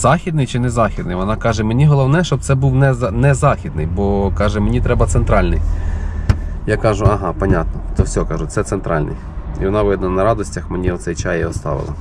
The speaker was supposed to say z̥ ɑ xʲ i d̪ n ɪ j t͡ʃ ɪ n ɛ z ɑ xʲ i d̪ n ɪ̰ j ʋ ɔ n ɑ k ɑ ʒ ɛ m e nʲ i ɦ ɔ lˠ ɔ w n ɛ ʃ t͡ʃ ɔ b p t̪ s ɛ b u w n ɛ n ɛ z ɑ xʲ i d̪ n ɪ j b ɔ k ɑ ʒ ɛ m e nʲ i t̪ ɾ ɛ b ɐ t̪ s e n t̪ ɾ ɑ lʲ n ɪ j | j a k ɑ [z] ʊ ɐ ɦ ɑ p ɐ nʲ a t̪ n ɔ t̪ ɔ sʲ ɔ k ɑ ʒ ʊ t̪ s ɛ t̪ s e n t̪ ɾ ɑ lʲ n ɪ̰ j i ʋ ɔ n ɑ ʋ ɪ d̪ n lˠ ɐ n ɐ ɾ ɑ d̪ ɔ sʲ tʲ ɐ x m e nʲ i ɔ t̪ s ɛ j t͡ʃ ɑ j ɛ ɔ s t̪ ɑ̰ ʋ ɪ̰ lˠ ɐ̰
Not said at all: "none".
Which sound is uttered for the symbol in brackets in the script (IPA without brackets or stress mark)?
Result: ʒ